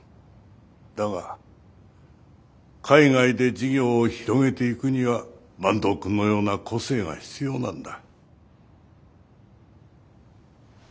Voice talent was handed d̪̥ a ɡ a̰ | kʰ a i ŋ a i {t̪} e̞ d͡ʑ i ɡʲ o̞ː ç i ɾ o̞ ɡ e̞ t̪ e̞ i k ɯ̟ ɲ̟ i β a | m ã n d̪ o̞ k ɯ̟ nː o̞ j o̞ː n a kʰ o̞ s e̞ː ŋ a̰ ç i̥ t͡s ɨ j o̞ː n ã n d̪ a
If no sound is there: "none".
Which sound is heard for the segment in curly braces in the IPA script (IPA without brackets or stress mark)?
d̪